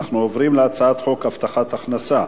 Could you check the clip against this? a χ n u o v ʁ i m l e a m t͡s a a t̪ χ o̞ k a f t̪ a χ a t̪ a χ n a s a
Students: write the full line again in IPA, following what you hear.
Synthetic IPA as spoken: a χ n u o v ʁ i m l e a t͡s a a t̪ χ o̞ k a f t̪ a χ a t̪ a χ n a s a

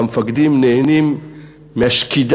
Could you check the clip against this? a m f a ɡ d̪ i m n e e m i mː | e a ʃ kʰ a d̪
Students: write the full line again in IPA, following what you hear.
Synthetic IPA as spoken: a m f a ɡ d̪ i m n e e n i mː | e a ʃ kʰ i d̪

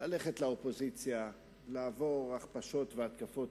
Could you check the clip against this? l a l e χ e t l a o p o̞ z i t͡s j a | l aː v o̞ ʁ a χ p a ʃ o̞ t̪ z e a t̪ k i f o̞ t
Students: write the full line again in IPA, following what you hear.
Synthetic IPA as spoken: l a l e χ e t l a o p o̞ z i t͡s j a | l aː v o̞ ʁ a χ p a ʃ o̞ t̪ v e a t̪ k a f o̞ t

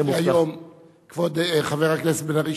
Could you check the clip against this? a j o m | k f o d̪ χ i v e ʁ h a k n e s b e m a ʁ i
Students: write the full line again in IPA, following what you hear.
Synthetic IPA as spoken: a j o m | k v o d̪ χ a v e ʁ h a k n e s b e n a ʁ i

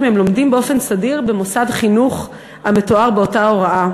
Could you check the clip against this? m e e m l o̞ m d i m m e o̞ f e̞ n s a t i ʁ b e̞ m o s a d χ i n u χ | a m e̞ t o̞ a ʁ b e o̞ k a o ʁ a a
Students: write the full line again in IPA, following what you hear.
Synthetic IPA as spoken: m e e m l o̞ m d i m b e o̞ f e̞ n s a d i ʁ b e̞ m o s a d χ i n u χ | a m e̞ t o̞ a ʁ b e o̞ t a o ʁ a a

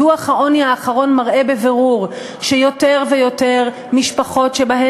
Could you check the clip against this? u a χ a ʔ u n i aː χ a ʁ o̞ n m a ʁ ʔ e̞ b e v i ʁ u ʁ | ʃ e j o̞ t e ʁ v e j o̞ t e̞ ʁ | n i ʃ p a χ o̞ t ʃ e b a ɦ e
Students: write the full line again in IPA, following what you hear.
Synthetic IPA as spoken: u a χ a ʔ o n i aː χ a ʁ o̞ n m a ʁ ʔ e̞ b e v e ʁ u ʁ | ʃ e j o̞ t e ʁ v e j o̞ t e̞ ʁ | m i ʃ p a χ o̞ t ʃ e b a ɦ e

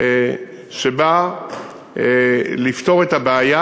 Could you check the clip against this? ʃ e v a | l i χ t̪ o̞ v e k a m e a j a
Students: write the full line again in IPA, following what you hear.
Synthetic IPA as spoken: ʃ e b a | l i f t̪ o̞ ʁ e t a b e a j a

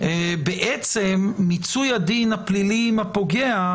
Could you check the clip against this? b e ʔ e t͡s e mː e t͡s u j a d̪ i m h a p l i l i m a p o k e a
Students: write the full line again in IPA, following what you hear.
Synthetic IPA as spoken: b e ʔ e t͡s e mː i t͡s u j a d̪ i n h a p l i l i m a p o ɡ e a

